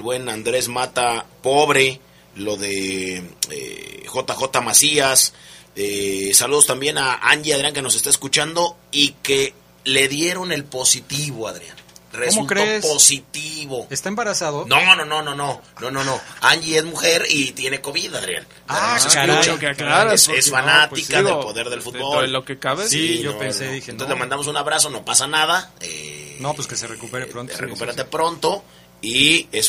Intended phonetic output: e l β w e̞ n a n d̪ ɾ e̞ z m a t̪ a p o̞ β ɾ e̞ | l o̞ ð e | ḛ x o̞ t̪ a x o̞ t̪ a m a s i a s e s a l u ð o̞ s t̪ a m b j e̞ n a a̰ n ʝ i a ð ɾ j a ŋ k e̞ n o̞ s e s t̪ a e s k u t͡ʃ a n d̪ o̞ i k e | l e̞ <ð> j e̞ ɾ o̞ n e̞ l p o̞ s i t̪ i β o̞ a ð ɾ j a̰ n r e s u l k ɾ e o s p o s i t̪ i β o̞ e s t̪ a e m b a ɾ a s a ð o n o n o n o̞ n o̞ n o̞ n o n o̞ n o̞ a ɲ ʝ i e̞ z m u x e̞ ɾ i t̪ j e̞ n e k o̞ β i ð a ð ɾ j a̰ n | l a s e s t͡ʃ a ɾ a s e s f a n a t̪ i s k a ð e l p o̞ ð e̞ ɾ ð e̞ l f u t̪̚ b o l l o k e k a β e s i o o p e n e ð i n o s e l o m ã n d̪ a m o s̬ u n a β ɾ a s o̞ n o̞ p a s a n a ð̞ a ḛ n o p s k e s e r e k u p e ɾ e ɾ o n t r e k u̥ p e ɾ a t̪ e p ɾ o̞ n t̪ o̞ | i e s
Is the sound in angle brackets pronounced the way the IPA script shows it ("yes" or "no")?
yes